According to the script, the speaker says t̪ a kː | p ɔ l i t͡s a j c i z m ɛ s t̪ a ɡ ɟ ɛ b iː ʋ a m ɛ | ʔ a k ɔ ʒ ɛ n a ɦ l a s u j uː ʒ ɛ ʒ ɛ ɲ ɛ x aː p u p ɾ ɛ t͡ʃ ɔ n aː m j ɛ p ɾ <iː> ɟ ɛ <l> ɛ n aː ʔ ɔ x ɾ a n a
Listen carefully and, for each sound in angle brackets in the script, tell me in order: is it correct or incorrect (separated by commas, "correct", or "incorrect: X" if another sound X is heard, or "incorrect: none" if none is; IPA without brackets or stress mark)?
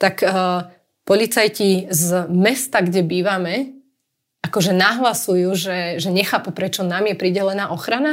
incorrect: i, correct